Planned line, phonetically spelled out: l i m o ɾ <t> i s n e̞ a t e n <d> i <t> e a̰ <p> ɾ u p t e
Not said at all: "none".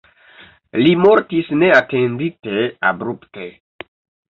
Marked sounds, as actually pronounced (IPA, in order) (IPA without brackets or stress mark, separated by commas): t, d, t, b